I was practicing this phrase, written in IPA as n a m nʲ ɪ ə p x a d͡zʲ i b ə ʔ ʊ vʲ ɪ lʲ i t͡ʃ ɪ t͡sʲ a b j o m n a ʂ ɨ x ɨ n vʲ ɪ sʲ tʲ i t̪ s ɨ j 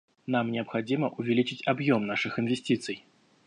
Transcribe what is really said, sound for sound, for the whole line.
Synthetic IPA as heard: n a m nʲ ɪ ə p x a d͡zʲ i m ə ʔ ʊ vʲ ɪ lʲ i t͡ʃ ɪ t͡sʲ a b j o m n a ʂ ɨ x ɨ n vʲ ɪ sʲ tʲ i t̪ s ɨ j